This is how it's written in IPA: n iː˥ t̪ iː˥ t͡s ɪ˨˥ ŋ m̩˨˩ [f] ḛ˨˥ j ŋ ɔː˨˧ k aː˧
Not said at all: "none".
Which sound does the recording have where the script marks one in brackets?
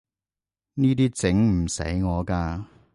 s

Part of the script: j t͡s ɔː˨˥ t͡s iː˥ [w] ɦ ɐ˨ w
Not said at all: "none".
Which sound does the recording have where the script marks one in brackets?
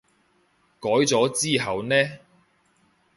none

